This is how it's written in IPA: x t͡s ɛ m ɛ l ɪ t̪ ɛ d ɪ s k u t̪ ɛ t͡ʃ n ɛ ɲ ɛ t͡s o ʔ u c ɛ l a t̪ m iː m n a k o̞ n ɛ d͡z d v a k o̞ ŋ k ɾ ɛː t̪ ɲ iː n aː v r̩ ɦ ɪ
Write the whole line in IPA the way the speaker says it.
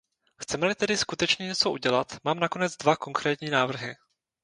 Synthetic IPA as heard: x t͡s ɛ m ɛ l ɪ t̪ ɛ d ɪ s k u t̪ ɛ t͡ʃ ɲ ɛ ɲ ɛ t͡s o ʔ u ɟ ɛ l a t̪ m aː m n a k o̞ n ɛ d͡z d v a k o̞ ŋ k ɾ ɛː t̪ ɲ iː n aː v r̩ ɦ ɪ